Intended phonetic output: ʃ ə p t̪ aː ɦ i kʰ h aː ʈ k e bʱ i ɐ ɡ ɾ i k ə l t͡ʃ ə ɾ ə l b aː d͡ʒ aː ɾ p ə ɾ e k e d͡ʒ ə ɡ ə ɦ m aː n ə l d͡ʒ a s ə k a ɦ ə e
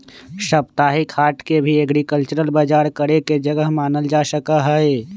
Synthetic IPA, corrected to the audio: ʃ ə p t̪ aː ɦ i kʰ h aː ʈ k e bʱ i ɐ ɡ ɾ i k ə l t͡ʃ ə ɾ ə l b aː d͡ʒ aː ɾ k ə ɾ e k e d͡ʒ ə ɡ ə ɦ m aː n ə l d͡ʒ a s ə k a ɦ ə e